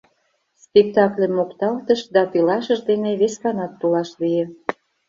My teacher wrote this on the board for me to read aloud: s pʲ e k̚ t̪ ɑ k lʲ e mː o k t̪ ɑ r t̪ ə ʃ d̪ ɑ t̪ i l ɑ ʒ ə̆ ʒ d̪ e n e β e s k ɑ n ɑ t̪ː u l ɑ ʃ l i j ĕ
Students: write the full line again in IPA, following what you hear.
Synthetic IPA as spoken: s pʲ e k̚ t̪ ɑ k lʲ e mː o k t̪ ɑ l t̪ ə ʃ d̪ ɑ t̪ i l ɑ ʃ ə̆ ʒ d̪ e n e β e s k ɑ n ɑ t̪ː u l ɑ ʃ l i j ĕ